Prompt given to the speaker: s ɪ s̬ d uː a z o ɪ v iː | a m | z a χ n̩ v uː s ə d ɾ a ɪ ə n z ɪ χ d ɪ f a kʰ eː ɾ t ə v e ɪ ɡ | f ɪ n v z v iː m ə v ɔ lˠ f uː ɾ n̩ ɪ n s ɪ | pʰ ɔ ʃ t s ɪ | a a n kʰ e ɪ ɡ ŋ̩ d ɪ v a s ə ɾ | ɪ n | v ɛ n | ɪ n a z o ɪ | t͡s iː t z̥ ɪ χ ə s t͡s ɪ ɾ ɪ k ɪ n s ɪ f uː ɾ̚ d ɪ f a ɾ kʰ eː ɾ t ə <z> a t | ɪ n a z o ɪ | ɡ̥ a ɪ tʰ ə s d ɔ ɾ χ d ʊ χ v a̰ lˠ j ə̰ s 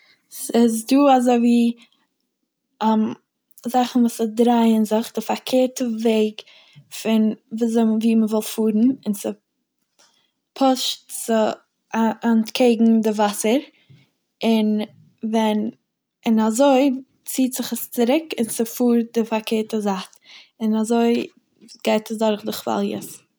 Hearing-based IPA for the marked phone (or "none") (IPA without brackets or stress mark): z